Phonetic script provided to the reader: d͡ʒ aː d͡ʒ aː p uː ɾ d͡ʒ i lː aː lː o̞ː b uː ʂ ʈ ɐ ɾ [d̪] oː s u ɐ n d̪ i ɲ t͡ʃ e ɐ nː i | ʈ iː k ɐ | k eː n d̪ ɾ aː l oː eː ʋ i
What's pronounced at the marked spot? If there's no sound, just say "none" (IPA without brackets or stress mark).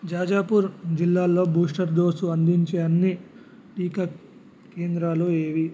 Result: d̪